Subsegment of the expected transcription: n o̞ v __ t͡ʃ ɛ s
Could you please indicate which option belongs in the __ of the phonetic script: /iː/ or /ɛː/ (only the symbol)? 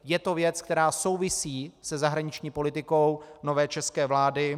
ɛː